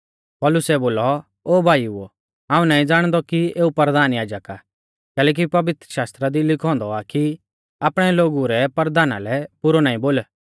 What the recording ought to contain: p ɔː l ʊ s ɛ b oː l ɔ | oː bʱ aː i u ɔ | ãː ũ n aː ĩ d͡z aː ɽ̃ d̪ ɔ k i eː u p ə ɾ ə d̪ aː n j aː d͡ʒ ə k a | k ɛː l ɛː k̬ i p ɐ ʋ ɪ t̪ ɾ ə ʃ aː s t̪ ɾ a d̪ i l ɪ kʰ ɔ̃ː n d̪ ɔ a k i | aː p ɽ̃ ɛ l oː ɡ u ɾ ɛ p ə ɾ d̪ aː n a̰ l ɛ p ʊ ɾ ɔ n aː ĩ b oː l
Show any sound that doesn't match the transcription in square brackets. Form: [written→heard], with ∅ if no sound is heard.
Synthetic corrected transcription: p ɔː l ʊ s ɛ b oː l ɔ | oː bʱ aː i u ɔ | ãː ũ n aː ĩ d͡z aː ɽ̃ d̪ ɔ k i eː u p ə ɾ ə d̪ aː n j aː d͡ʒ ə k a | k ɛː l ɛː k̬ i p ɐ ʋ ɪ t̪ ɾ ə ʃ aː s t̪ ɾ a d̪ i l ɪ kʰ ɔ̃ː n d̪ ɔ a k i | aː p ɽ̃ ɛ l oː ɡ u ɾ ɛ p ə ɾ d̪ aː n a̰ l ɛ p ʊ ɾ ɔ n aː ĩ b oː l

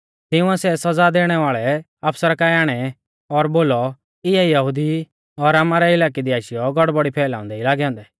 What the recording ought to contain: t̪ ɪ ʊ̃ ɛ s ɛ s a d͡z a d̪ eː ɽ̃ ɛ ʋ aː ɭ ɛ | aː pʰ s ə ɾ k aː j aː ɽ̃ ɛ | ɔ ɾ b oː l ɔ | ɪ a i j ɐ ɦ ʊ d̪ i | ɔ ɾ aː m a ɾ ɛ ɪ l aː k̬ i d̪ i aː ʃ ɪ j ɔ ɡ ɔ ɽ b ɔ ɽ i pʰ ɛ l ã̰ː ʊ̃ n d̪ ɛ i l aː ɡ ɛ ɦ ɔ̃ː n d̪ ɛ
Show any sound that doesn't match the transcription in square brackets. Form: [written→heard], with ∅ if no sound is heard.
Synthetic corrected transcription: t̪ ɪ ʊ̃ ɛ s ɛ s [a→ɐ] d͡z a d̪ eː ɽ̃ ɛ ʋ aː ɭ ɛ | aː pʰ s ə ɾ k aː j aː ɽ̃ ɛ | ɔ ɾ b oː l ɔ | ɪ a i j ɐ ɦ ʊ d̪ i | ɔ ɾ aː m a ɾ ɛ ɪ l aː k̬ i d̪ i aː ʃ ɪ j ɔ ɡ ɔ ɽ b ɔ ɽ i pʰ [ɛ→ɛː] l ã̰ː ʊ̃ n d̪ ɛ i l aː ɡ ɛ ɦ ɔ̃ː n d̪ ɛ

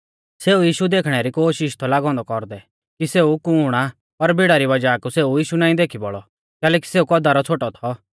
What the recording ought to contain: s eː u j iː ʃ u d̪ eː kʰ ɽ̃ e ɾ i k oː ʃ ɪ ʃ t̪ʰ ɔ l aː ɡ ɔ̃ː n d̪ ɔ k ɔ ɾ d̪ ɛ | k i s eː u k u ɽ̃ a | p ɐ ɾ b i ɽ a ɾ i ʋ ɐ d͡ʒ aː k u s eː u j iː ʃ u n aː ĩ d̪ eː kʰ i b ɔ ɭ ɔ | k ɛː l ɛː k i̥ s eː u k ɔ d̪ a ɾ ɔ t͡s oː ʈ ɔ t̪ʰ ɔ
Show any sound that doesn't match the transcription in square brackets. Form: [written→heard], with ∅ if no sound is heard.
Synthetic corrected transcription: s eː u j iː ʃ u d̪ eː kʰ ɽ̃ [e→ɛ] ɾ i k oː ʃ ɪ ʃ t̪ʰ ɔ l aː ɡ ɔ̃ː n d̪ ɔ k ɔ ɾ d̪ ɛ | k i s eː u k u ɽ̃ a | p ɐ ɾ b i ɽ a ɾ i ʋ ɐ d͡ʒ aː k u s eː u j iː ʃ u n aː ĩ d̪ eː kʰ i b ɔ ɭ ɔ | k ɛː l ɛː k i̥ s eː u k ɔ d̪ a ɾ ɔ [t͡s→t͡sʰ] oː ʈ ɔ t̪ʰ ɔ

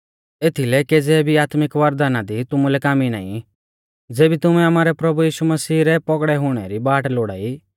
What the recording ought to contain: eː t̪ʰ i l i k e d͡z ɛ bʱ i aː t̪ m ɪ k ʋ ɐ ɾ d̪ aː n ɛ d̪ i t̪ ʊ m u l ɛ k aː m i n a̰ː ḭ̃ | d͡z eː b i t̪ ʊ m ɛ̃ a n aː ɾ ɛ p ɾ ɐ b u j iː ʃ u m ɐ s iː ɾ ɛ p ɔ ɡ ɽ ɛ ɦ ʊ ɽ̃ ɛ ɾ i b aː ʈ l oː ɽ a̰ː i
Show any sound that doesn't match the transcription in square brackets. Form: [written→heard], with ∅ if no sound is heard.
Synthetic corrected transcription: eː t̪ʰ i l [i→ɛ] k e d͡z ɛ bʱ i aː t̪ m ɪ k ʋ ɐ ɾ d̪ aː n [ɛ→a] d̪ i t̪ ʊ m u l ɛ k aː m i n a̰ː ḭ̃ | d͡z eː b i t̪ ʊ m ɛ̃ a [n→m] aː ɾ ɛ p ɾ ɐ b u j iː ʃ u m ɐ s iː ɾ ɛ p ɔ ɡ ɽ ɛ ɦ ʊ ɽ̃ ɛ ɾ i b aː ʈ l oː ɽ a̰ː i

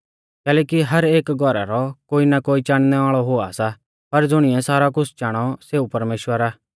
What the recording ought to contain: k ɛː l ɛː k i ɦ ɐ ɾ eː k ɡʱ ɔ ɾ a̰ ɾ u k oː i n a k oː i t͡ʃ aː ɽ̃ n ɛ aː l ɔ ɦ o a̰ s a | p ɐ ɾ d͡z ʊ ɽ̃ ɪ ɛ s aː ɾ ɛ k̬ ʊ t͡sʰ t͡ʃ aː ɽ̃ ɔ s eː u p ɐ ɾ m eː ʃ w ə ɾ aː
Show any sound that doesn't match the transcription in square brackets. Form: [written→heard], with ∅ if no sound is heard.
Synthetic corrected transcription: k ɛː l ɛː k i ɦ ɐ ɾ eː k ɡʱ ɔ ɾ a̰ ɾ [u→ɔ] k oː i n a k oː i t͡ʃ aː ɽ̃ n ɛ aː [l→ɭ] ɔ ɦ o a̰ s a | p ɐ ɾ d͡z ʊ ɽ̃ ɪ ɛ s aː ɾ [ɛ→a] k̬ ʊ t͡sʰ t͡ʃ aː ɽ̃ ɔ s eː u p ɐ ɾ m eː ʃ w ə ɾ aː

